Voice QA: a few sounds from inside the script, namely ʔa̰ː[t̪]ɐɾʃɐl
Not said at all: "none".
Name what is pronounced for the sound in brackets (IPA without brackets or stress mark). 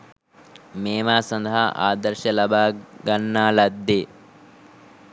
d̪